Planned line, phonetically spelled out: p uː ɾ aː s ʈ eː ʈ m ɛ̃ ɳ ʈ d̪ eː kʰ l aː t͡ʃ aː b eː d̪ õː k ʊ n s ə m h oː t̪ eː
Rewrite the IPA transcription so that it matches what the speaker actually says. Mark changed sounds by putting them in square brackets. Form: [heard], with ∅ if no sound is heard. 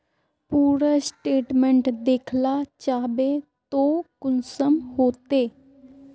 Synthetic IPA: p uː ɾ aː s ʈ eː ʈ m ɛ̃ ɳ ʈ d̪ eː kʰ l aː t͡ʃ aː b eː [t̪] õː k ʊ n s ə m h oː t̪ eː

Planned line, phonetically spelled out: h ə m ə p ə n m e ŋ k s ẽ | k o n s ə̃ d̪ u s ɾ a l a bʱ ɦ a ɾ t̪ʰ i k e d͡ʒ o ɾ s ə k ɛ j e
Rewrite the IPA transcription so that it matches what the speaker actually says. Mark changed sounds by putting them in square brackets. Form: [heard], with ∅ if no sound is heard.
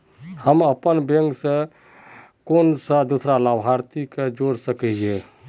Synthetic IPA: h ə m ə p ə n [b] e ŋ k s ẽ | k o n s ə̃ d̪ u s ɾ a l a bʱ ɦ a ɾ [t̪] i k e d͡ʒ o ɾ s ə k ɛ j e

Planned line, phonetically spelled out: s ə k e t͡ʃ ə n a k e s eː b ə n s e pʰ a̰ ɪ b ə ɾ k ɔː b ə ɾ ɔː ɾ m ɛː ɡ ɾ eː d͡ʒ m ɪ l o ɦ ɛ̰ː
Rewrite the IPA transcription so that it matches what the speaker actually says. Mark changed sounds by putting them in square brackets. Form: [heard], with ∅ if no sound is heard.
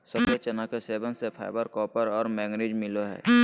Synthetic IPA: s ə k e t͡ʃ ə n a k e s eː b ə n s e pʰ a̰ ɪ b ə ɾ k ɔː [p] ə ɾ ɔː ɾ m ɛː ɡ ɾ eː d͡ʒ m ɪ l o ɦ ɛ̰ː

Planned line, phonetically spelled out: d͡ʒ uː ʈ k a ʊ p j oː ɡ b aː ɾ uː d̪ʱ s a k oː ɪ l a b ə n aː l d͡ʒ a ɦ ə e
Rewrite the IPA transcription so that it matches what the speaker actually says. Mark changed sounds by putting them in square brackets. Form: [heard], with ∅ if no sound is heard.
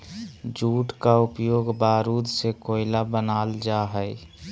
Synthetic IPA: d͡ʒ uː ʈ k a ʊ p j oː ɡ b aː ɾ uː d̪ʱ s [e] k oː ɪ l a b ə n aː l d͡ʒ a ɦ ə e

